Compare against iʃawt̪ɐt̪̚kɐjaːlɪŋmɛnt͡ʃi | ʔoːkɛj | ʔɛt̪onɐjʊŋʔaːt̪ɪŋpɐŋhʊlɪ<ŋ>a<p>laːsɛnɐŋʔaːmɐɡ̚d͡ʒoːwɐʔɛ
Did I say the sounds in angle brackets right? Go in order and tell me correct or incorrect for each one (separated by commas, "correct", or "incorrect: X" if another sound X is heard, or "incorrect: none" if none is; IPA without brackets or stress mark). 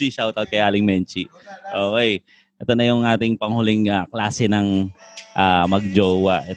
correct, incorrect: k